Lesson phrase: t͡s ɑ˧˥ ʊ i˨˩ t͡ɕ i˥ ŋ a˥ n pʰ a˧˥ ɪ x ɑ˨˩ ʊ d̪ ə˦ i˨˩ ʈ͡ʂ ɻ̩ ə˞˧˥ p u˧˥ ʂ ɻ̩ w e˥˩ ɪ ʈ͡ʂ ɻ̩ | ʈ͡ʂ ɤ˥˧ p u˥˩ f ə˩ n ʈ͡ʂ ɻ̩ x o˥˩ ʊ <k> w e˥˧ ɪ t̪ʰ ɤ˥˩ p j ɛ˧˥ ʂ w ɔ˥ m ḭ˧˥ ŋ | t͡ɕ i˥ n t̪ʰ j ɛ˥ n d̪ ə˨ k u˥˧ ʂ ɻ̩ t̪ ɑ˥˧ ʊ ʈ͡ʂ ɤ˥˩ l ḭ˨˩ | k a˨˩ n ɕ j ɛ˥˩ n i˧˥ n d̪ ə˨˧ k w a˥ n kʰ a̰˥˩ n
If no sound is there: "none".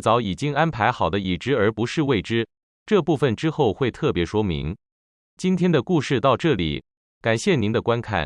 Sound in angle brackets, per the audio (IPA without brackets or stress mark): x